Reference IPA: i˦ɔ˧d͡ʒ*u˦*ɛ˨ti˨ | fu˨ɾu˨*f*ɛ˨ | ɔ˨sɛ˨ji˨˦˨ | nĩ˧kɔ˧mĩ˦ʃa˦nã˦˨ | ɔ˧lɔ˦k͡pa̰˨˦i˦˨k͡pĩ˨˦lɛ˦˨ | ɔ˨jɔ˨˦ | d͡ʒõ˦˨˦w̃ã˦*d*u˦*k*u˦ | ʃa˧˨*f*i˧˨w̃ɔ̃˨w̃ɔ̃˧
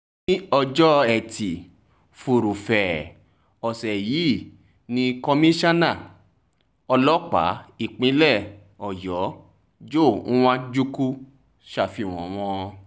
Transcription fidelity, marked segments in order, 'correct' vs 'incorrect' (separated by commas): incorrect, correct, incorrect, correct, correct